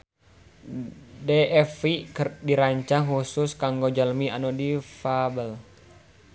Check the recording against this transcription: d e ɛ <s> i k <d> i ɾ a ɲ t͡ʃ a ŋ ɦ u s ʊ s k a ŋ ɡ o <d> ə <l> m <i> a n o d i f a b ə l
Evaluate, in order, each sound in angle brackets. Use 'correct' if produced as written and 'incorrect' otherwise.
incorrect: f, correct, incorrect: d͡ʒ, correct, correct

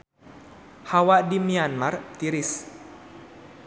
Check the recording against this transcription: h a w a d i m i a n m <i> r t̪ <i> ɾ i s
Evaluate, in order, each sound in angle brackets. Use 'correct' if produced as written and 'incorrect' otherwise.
incorrect: a, correct

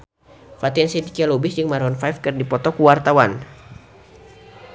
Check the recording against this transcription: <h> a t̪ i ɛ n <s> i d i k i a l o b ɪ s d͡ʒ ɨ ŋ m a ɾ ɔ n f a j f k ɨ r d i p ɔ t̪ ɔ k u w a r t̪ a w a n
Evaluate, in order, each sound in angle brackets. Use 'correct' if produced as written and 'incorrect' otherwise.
incorrect: f, correct

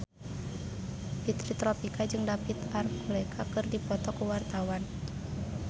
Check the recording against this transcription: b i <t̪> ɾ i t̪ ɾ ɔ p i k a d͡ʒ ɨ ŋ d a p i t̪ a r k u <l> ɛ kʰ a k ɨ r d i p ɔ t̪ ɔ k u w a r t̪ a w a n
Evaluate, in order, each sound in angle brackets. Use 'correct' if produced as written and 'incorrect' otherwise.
correct, correct

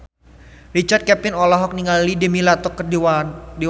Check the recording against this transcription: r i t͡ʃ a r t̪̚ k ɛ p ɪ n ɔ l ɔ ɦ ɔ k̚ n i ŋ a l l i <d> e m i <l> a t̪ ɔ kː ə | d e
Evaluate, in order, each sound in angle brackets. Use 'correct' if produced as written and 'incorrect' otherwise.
correct, correct

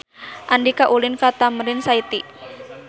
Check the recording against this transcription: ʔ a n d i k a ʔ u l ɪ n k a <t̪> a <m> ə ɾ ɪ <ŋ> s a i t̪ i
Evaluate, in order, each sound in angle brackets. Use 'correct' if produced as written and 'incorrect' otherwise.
correct, correct, incorrect: n

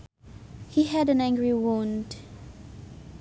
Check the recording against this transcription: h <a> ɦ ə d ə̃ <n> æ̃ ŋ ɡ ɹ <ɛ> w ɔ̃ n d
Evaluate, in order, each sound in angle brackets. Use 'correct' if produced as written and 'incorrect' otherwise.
incorrect: i, correct, incorrect: i

